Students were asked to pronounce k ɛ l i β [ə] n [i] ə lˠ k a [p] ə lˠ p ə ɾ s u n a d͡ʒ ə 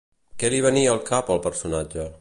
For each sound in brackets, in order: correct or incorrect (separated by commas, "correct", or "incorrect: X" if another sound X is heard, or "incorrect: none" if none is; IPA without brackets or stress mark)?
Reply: correct, correct, correct